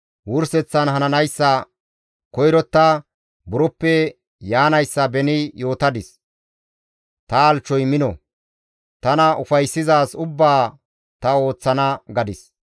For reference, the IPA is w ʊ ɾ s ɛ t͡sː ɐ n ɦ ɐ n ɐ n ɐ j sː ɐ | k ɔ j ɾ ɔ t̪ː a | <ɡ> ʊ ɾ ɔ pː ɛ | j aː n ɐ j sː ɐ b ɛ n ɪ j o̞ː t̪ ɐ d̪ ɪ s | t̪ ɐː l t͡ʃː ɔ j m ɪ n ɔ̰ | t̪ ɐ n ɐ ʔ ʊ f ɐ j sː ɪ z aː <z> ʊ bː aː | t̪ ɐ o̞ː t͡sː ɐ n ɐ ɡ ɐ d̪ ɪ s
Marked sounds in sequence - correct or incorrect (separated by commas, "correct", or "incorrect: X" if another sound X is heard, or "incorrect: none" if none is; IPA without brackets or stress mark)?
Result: incorrect: b, incorrect: s